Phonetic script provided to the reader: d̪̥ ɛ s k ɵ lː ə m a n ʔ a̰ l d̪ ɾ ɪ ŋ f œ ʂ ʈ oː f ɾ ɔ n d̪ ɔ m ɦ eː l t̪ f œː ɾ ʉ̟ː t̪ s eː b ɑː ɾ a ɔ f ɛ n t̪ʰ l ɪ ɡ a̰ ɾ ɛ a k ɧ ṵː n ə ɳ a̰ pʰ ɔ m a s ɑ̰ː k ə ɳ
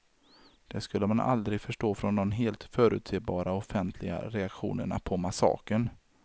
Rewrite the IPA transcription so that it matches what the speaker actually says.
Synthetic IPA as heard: d̪̥ ɛ s k ɵ lː ə m a n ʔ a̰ l d̪ ɾ ɪ ɡ f œ ʂ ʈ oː f ɾ ɔ n d̪ ɔ m ɦ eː l t̪ f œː ɾ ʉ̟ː t̪ s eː b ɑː ɾ a ɔ f ɛ n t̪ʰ l ɪ ɡ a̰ ɾ ɛ a k ɧ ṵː n ə ɳ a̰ pʰ ɔ m a s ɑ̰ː k ə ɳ